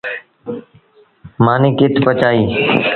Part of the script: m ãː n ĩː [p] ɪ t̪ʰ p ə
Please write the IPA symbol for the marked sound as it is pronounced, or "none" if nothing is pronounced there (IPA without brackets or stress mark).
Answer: k